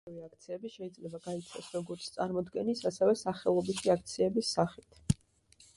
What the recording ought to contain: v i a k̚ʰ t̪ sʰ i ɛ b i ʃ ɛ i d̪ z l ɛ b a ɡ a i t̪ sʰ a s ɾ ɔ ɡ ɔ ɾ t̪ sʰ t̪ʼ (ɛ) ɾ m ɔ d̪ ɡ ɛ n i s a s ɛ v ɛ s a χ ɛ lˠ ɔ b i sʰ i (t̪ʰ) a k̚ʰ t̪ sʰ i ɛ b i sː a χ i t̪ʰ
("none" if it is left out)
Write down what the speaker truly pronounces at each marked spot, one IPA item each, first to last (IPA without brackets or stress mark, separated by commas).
a, none